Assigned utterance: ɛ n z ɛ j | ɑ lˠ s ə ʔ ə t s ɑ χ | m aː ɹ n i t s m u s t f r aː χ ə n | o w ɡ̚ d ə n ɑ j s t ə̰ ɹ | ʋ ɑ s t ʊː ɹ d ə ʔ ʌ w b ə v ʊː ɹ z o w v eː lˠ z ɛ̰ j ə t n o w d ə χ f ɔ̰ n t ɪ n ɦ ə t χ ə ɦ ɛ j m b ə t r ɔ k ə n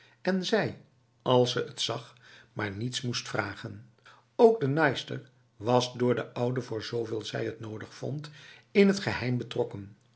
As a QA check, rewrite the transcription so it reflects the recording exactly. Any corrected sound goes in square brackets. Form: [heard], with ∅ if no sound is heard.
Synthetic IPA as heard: ɛ n z ɛ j | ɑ lˠ s ə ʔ ə t s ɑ χ | m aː ɹ n i t s m u s t f r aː χ ə n | o w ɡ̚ d ə n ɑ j s t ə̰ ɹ | ʋ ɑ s [d] ʊː ɹ d ə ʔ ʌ w [d] ə v ʊː ɹ z o w v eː lˠ z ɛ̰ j ə t n o w d ə χ f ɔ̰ n t ɪ n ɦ ə t χ ə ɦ ɛ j m b ə t r ɔ k ə n